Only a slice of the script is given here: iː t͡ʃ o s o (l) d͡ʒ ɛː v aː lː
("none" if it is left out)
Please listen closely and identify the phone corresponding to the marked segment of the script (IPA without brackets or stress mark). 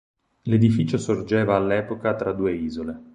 r